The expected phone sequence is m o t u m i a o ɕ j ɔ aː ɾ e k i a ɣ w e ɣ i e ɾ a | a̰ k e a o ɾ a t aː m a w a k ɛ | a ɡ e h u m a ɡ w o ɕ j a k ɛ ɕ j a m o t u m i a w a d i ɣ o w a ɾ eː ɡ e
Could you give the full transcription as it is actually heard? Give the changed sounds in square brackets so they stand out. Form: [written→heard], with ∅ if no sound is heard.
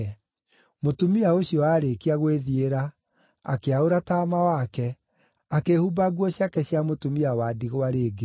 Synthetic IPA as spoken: m o t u m i a o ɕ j ɔ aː ɾ e k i a ɣ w e [ɣ→ð] i e ɾ a | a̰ k e a o ɾ a t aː m a w a k ɛ | a [ɡ→k] e h u [m→b] a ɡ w [o→ɔ] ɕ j a k ɛ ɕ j a m o t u m i a w a d i ɣ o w a ɾ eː ɡ e

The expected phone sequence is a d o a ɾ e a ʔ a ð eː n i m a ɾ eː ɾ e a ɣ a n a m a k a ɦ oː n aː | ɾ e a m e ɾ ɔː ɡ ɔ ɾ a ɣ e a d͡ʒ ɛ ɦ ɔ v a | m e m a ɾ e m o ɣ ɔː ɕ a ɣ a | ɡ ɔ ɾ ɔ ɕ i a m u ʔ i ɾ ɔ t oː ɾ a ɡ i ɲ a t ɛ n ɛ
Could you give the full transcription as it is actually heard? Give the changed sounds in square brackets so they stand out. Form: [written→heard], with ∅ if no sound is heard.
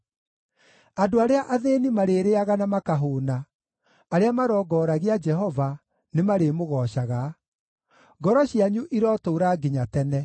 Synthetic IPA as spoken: a d o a ɾ e a ʔ a ð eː n i m a ɾ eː ɾ e a ɣ a n a m a k a ɦ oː n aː | ɾ e a m [e→a] ɾ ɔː ɡ ɔ ɾ a ɣ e a d͡ʒ ɛ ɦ ɔ v a | [m→n] e m a ɾ e m o ɣ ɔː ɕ a ɣ a | ɡ ɔ ɾ ɔ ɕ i a [m→ɲ] u ʔ i ɾ ɔ t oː ɾ a ɡ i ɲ a t ɛ n ɛ

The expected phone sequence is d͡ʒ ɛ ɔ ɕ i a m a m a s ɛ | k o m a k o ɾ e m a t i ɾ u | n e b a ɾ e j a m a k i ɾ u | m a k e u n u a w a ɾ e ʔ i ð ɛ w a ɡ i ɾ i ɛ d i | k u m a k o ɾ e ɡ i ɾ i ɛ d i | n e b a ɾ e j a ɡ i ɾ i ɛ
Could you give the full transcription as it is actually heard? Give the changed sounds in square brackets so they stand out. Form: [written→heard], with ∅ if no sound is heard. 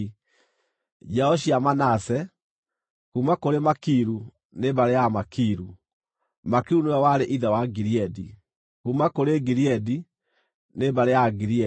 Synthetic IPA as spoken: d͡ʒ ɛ ɔ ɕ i a m a [m→n] a s ɛ | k [o→u] m a k o ɾ e m a [t→k] i ɾ u | n e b a ɾ e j a m a k i ɾ u | m a k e u n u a w a ɾ e ʔ i ð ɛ w a ɡ i ɾ i ɛ d i | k u m a k o ɾ e ɡ i ɾ i ɛ d i | n e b a ɾ e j a ɡ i ɾ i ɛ

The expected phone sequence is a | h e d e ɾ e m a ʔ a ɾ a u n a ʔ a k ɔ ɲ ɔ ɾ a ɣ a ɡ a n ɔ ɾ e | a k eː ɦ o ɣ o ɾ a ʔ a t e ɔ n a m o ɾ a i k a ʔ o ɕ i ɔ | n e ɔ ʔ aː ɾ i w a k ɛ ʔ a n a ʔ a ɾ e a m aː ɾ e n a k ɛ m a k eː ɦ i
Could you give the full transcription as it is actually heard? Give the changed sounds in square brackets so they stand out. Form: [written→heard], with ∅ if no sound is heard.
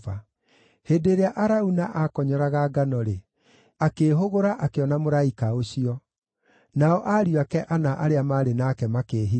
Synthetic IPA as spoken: a | h e d e ɾ e [m→∅] a ʔ a ɾ a u n a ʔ a k ɔ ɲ ɔ ɾ a ɣ a ɡ a n ɔ ɾ e | a k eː ɦ o ɣ o ɾ a ʔ a [t→k] e ɔ n a m o ɾ a i k a [ʔ→∅] o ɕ i ɔ | n [e→a] ɔ ʔ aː ɾ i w a k ɛ ʔ a n a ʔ a ɾ e a m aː ɾ e n a k ɛ m a k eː ɦ i

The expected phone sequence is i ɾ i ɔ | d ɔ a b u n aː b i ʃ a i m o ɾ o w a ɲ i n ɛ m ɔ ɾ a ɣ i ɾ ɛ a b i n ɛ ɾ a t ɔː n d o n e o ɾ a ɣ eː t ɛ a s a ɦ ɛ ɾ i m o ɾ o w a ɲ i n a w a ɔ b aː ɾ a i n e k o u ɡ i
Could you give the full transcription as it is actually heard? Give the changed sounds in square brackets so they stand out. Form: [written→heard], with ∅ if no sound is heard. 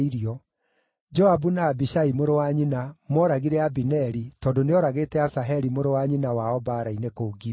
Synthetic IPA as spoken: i ɾ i ɔ | [d→d͡ʒ] ɔ a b u n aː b i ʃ a i m o ɾ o w a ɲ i n [ɛ→a] m ɔ ɾ a ɣ i ɾ ɛ a b i n ɛ ɾ [a→i] t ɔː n d o n e [o→ɔ] ɾ a ɣ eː t ɛ a s a ɦ ɛ ɾ i m o ɾ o w a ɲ i n a w a ɔ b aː ɾ a i n e k o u ɡ i

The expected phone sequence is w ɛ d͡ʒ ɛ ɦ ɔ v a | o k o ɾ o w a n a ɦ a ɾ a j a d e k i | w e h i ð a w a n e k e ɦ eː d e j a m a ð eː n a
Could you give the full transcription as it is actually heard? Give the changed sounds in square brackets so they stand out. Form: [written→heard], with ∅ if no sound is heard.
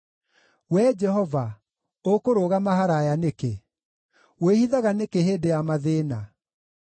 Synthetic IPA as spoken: w ɛ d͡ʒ ɛ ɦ ɔ v a | o k o ɾ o [w→ɣ] a [n→m] a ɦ a ɾ a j a [d→n] e k [i→e] | w e h i ð a [w→ɣ] a n e k e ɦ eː d e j a m a ð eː n a

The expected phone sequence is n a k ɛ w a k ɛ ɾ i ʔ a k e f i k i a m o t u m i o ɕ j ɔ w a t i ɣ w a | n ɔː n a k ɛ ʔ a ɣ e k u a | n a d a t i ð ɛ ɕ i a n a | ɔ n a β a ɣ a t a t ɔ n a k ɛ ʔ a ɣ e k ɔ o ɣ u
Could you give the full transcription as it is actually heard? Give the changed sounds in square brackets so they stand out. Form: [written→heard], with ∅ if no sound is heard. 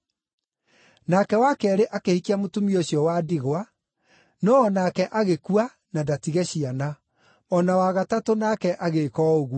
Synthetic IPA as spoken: n a k ɛ w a k ɛ ɾ [i→e] ʔ a k e [f→h] i k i a m o t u m i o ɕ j ɔ w a [t→d] i ɣ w a | n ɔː n a k ɛ ʔ a ɣ e k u a | n a d a t i [ð→ɣ] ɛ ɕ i a n a | ɔ n a [β→w] a ɣ a t a t [ɔ→o] n a k ɛ ʔ a ɣ e k ɔ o ɣ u

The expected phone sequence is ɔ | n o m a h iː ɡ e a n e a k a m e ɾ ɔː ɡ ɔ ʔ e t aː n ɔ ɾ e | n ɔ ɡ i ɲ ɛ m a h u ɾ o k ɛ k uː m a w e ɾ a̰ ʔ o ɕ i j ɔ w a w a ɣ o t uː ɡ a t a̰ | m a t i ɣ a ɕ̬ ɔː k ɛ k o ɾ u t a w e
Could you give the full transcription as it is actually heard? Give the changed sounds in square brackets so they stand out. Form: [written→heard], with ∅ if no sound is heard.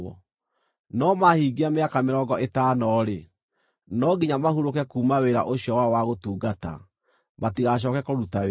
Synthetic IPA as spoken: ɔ | n [o→ɔ] m a h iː ɡ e a [n→m] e a k a m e ɾ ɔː ɡ ɔ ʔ e t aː n ɔ ɾ e | n ɔ ɡ i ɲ [ɛ→a] m a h u ɾ o k ɛ k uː m a w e ɾ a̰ ʔ o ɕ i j ɔ w a w a ɣ o t uː ɡ a t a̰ | m a t i ɣ a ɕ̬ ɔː k ɛ k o ɾ u t a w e

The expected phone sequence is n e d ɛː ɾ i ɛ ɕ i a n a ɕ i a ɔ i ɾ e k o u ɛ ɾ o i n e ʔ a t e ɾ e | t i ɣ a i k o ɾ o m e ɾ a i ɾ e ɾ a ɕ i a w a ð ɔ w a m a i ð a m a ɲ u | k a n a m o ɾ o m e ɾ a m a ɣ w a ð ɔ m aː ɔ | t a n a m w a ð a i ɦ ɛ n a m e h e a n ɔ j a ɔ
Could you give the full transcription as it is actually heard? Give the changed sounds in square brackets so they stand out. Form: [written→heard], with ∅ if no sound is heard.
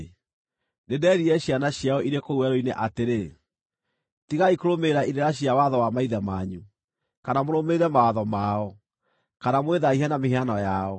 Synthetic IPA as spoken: n e d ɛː ɾ i ɛ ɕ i a n a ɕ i a ɔ i ɾ e k o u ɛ ɾ o i n e ʔ a t e ɾ e | t i ɣ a i k o ɾ o m e ɾ a i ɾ e ɾ a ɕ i a w a ð ɔ w a m a i ð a m a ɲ u | k a n a m o ɾ o m e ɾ [a→ɛ] m a [ɣ→∅] w a ð ɔ m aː ɔ | [t→k] a n a m w [a→e] ð a i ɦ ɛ n a m e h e a n ɔ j a ɔ

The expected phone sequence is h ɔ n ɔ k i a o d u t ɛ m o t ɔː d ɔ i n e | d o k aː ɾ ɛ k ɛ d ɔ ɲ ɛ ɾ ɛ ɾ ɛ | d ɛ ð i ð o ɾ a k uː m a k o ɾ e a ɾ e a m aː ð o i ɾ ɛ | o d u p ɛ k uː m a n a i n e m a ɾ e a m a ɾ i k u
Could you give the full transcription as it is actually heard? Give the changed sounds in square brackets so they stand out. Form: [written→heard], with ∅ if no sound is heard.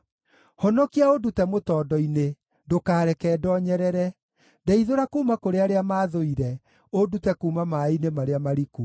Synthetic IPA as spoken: h ɔ n ɔ k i a o d u t ɛ m o t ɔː d ɔ i n e | d o k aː ɾ ɛ k ɛ d ɔ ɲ ɛ ɾ ɛ ɾ ɛ | d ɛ [ð→∅] i ð o ɾ a k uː m a k o ɾ e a ɾ e a m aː ð o i ɾ ɛ | o d u [p→t] ɛ k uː m a [n→m] a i n e m a ɾ e a m a ɾ i k u

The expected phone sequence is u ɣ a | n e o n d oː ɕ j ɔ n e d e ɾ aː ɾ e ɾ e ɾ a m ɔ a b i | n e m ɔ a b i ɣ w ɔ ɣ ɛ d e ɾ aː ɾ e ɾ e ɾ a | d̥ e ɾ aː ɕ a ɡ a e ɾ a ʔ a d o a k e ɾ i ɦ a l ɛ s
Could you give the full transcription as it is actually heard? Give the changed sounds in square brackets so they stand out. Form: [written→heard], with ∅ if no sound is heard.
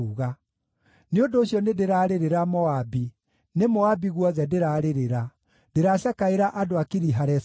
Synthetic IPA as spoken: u ɣ a | n e o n d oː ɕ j ɔ n e d e ɾ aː ɾ e ɾ e ɾ a m ɔ a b i | n e m ɔ a b i ɣ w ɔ [ɣ→ð] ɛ d e ɾ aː ɾ e ɾ e ɾ a | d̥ e ɾ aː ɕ a [ɡ→k] a e ɾ a ʔ a d o a k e ɾ i ɦ a [l→ɾ] ɛ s

